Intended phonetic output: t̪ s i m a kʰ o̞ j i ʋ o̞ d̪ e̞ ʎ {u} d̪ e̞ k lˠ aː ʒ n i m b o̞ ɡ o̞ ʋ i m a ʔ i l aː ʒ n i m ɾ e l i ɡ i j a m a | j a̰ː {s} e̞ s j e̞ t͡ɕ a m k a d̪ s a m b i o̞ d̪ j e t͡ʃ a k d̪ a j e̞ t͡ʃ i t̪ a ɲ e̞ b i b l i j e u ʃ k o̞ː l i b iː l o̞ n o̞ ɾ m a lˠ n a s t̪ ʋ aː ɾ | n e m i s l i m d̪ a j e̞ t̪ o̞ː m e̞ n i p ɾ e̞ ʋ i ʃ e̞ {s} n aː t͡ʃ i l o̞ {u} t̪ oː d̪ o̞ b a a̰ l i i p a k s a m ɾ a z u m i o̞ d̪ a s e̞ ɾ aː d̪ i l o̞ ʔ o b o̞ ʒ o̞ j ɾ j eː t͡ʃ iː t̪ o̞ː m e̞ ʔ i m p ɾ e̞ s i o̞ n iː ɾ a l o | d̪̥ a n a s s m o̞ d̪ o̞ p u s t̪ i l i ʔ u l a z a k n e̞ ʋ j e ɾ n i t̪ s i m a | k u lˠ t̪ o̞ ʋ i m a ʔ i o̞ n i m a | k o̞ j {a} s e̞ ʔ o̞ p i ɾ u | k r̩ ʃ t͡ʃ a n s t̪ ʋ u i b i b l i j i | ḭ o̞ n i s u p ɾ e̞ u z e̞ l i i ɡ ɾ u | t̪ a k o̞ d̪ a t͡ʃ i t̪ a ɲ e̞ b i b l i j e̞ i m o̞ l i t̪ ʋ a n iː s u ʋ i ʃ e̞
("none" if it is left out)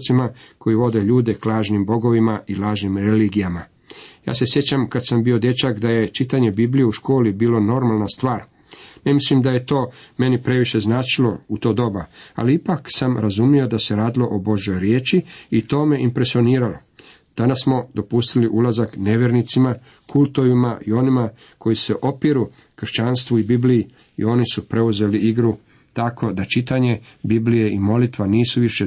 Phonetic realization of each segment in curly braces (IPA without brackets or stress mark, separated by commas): uː, s, z, u, i